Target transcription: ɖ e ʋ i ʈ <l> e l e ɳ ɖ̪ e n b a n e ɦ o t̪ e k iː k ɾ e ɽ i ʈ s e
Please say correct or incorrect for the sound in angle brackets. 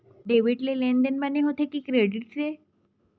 correct